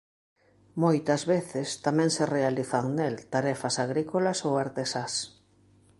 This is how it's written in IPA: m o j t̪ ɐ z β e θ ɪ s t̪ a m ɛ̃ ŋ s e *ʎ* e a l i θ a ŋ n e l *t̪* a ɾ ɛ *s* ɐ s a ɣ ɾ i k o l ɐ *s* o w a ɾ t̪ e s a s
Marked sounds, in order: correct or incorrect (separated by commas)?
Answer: incorrect, correct, incorrect, correct